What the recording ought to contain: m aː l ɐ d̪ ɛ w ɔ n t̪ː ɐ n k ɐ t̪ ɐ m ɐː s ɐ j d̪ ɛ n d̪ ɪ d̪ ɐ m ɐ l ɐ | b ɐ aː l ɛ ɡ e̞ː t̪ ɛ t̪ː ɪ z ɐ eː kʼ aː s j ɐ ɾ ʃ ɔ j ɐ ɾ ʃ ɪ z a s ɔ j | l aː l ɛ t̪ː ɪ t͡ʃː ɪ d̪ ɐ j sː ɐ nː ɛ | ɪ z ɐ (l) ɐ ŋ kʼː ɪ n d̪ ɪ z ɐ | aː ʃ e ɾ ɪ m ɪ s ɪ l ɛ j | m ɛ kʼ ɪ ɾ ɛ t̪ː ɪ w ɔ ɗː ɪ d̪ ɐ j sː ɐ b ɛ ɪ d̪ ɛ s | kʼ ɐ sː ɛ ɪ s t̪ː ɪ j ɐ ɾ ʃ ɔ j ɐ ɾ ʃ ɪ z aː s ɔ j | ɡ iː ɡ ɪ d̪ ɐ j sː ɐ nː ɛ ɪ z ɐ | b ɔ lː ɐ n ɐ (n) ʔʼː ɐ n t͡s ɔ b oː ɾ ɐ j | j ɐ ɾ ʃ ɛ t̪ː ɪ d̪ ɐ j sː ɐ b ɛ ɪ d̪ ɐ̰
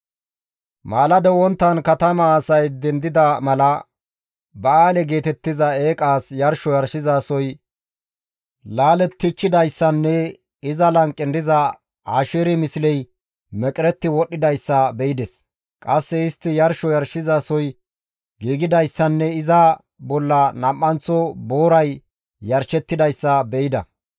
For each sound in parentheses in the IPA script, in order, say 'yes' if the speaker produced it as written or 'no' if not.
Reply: yes, no

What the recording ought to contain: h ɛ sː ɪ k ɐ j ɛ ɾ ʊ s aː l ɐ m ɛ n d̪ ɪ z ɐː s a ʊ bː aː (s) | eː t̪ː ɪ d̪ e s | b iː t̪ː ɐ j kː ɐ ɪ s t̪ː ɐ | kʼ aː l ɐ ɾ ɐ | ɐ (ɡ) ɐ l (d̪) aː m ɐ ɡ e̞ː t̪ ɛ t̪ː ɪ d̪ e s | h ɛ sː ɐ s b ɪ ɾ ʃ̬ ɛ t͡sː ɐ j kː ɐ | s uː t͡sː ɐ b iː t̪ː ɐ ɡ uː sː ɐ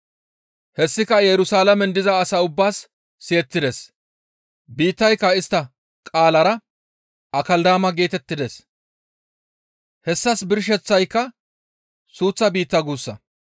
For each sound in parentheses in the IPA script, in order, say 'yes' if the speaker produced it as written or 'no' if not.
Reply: no, no, yes

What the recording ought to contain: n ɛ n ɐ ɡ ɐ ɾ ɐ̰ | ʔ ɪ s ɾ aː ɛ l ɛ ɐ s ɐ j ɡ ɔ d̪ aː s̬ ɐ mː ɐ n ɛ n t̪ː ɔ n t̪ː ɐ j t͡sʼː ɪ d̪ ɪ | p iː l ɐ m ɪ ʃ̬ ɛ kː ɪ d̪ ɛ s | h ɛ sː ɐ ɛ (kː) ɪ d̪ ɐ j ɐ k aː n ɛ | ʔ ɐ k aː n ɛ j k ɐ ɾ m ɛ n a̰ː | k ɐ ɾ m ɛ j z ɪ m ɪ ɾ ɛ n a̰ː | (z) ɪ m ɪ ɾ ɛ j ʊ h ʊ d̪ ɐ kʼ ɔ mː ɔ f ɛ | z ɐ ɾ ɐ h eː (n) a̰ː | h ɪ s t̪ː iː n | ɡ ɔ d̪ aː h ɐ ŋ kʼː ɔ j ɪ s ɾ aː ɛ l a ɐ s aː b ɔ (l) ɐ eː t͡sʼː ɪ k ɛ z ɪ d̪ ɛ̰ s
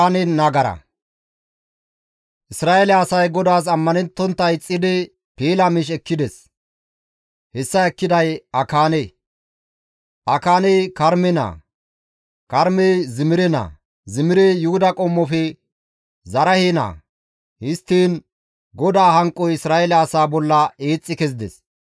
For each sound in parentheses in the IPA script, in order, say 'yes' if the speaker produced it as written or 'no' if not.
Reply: yes, yes, yes, no

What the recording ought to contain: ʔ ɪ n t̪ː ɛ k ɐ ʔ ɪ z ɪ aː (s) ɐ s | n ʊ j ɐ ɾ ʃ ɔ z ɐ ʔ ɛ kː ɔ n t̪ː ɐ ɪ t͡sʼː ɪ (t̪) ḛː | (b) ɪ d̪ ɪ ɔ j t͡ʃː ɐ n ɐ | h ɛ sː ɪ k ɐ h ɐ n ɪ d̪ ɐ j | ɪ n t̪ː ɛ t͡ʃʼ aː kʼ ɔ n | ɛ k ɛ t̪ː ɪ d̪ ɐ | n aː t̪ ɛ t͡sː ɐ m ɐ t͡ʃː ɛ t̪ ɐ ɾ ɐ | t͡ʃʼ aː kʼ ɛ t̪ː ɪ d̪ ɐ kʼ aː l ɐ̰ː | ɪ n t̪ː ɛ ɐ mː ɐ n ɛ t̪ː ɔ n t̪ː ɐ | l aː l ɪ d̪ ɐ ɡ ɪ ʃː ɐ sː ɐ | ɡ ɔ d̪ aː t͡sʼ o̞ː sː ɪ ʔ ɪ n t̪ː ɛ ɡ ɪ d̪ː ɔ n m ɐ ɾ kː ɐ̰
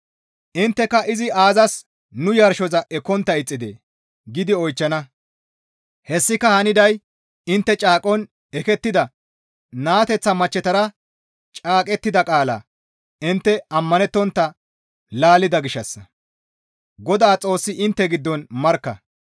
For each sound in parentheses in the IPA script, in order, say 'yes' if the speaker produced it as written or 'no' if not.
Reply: no, no, no

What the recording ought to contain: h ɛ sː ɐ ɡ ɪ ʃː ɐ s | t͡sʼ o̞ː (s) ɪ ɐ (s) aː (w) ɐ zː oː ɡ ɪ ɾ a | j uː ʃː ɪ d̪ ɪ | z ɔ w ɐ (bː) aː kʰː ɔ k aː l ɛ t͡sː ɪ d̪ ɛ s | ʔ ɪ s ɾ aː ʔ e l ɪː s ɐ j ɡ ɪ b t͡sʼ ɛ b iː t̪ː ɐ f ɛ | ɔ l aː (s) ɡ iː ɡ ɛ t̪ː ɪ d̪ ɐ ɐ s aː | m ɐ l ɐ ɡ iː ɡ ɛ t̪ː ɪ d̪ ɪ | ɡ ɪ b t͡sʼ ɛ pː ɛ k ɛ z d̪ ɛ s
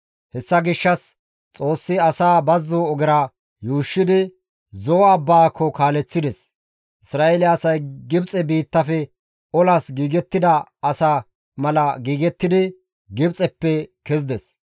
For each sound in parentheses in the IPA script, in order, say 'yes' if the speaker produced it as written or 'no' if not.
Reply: no, yes, no, yes, yes

